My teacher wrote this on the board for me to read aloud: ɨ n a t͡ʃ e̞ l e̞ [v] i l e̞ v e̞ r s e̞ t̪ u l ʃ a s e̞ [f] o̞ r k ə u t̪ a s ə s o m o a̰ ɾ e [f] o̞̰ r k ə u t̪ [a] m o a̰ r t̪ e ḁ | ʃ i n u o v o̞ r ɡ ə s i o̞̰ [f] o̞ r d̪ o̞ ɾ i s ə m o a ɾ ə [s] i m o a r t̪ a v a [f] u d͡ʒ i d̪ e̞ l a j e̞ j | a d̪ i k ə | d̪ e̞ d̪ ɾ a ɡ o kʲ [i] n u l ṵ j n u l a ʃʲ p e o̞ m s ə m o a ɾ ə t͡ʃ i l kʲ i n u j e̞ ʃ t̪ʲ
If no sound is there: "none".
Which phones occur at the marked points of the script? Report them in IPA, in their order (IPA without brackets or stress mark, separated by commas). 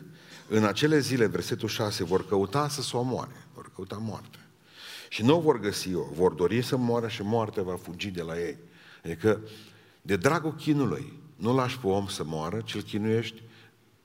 z, v, v, a, v, ʃ, f, i